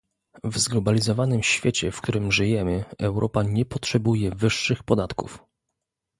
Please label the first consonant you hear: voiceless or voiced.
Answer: voiced